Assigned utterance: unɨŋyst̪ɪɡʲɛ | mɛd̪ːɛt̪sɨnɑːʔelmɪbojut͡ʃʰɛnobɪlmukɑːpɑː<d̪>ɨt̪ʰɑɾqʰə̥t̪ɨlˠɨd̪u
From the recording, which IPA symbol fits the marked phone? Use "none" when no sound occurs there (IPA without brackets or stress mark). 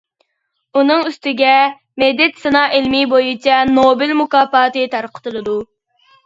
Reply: t̪